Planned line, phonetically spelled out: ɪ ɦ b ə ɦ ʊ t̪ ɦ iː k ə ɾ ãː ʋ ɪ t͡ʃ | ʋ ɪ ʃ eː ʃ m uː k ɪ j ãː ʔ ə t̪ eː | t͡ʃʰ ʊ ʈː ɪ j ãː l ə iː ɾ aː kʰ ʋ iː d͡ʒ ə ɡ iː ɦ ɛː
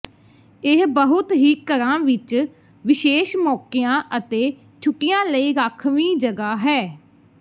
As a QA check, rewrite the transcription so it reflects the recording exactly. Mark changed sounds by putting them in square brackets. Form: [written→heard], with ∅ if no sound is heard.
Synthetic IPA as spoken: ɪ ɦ b ə ɦ ʊ t̪ ɦ iː k ə ɾ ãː ʋ ɪ t͡ʃ | ʋ ɪ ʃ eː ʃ m [uː→ɔː] k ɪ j ãː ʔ ə t̪ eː | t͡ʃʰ ʊ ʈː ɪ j ãː l ə iː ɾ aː kʰ ʋ iː d͡ʒ ə ɡ [iː→aː] ɦ ɛː